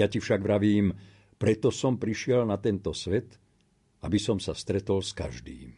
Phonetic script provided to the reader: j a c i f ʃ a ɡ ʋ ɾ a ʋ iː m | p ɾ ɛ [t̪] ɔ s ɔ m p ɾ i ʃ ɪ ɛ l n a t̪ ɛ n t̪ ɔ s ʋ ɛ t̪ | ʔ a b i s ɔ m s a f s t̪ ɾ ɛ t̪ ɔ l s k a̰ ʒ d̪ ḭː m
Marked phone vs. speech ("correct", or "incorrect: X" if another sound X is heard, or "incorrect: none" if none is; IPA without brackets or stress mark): correct